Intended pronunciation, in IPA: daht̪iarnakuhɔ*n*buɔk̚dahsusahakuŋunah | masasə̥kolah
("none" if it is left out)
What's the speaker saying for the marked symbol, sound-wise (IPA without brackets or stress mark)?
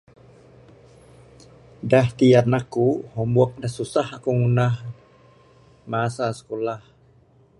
m